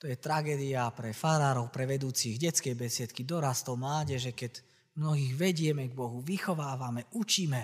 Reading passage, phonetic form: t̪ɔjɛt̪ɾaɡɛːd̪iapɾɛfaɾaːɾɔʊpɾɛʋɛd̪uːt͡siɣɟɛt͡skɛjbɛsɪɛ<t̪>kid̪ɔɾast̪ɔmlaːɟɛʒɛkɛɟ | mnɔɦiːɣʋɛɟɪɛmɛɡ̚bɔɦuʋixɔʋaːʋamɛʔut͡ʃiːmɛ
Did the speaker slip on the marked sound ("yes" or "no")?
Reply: no